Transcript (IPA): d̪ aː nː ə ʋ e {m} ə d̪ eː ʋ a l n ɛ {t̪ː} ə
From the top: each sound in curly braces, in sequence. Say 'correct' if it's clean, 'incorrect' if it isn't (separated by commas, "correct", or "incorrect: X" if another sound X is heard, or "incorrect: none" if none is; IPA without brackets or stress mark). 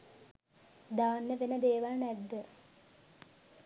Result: incorrect: n, incorrect: d̪ː